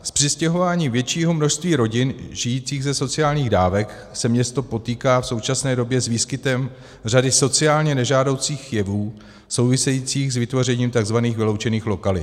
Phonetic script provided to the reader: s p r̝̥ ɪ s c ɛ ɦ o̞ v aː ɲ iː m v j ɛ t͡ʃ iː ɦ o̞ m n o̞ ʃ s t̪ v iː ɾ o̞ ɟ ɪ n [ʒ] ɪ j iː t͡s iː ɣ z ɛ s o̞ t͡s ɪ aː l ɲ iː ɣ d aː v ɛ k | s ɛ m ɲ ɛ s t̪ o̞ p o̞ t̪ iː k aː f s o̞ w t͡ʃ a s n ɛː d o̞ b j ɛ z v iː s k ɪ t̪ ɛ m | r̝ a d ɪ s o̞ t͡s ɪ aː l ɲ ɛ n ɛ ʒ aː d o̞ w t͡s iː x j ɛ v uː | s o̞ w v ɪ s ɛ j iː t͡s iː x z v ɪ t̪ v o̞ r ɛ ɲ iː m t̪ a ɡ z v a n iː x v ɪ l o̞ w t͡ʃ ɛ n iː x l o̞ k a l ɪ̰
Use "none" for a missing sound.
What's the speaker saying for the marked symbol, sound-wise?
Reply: ʒ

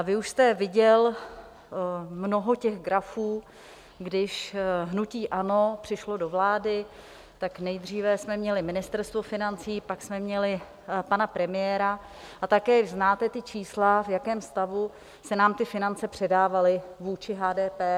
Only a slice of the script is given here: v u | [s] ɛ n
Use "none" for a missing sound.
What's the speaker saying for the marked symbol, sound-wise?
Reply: s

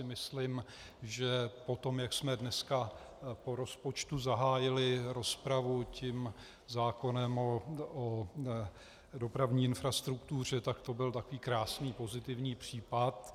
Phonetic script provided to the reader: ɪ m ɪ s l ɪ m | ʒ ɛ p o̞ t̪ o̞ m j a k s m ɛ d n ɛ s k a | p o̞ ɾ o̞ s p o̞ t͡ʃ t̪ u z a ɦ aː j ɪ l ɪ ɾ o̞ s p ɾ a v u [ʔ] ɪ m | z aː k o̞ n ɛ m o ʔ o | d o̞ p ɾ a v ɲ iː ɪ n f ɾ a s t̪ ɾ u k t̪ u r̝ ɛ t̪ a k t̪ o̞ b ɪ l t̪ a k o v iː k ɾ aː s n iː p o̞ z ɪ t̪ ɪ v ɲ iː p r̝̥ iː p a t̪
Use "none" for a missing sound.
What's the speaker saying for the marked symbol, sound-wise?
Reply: c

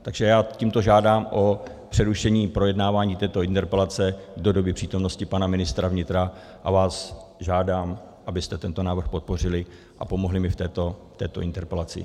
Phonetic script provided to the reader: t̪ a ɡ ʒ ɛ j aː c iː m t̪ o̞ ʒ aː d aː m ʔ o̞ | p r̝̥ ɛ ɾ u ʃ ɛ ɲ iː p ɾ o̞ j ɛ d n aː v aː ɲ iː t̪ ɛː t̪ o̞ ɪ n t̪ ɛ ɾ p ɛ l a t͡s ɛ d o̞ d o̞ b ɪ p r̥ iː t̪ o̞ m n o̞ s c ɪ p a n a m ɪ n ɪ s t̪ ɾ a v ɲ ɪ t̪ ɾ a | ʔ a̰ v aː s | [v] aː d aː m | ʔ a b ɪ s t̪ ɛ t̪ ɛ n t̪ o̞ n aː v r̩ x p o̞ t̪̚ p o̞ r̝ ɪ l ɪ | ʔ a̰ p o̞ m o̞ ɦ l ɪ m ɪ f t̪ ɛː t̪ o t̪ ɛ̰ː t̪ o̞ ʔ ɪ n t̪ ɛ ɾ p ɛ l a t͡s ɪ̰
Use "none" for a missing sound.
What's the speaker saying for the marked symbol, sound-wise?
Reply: ʒ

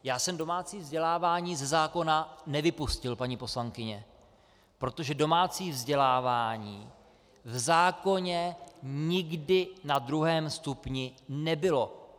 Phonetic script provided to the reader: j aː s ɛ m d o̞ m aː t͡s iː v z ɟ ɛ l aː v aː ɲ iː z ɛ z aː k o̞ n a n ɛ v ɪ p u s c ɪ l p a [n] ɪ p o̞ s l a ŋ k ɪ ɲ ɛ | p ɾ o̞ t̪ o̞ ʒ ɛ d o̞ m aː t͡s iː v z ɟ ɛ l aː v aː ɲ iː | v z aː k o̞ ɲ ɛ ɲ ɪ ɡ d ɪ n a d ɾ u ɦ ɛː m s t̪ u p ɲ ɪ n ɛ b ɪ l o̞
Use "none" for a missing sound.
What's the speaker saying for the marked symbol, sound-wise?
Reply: ɲ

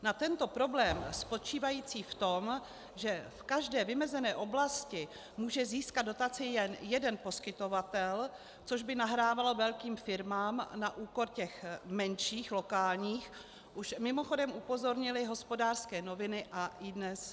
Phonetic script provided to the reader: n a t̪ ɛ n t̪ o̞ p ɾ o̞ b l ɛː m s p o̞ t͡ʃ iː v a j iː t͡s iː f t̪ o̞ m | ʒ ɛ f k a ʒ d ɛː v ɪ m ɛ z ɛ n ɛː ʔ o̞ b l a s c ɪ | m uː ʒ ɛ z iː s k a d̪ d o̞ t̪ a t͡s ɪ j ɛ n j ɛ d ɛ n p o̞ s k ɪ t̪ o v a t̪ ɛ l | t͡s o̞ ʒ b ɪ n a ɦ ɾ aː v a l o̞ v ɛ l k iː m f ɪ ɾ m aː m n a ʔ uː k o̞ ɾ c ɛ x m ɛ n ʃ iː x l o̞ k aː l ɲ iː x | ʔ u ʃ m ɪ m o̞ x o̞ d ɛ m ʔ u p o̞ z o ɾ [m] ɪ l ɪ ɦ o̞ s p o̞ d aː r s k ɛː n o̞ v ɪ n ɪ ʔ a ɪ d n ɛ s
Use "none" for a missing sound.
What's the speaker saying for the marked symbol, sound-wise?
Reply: ɲ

